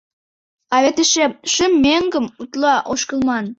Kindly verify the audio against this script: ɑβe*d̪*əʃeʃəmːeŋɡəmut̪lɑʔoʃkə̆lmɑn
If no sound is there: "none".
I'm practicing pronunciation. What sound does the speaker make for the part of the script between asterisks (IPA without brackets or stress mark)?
t̪